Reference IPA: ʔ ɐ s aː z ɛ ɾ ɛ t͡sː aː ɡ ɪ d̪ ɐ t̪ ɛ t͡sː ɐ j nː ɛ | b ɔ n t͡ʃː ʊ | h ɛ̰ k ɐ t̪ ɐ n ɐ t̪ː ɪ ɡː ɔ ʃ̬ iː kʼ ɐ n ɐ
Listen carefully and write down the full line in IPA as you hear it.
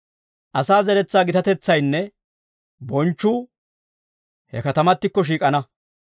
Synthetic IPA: ʔ ɐ s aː z ɛ ɾ ɛ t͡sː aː ɡ ɪ t̪ ɐ t̪ ɛ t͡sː ɐ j nː ɛ | b ɔ n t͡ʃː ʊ | h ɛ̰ k ɐ t̪ ɐ m ɐ t̪ː ɪ kː ɔ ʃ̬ iː kʼ ɐ n ɐ